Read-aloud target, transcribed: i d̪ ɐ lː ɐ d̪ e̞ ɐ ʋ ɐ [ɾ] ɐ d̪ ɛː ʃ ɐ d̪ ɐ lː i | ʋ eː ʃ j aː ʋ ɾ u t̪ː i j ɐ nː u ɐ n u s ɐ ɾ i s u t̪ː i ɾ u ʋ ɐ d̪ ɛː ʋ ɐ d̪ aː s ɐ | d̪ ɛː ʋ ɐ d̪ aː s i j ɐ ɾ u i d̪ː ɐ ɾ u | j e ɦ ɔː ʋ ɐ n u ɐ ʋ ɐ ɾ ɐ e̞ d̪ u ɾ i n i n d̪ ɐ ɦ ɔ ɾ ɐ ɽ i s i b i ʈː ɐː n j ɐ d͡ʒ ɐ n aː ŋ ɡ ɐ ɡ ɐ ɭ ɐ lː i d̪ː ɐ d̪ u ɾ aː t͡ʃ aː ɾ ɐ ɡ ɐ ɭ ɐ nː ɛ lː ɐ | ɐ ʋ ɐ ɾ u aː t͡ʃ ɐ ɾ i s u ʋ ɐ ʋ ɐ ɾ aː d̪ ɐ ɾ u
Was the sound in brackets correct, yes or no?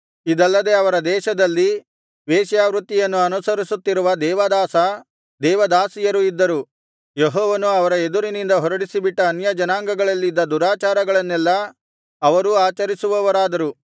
yes